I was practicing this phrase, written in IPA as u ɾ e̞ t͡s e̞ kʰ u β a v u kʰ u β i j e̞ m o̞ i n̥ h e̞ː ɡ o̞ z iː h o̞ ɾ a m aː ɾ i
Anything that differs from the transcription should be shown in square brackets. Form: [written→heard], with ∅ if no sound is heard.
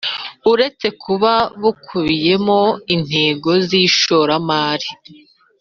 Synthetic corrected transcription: u ɾ e̞ t͡s e̞ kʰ u β a [v→β] u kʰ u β i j e̞ m o̞ i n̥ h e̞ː ɡ o̞ z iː [h→ʃ] o̞ ɾ a m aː ɾ i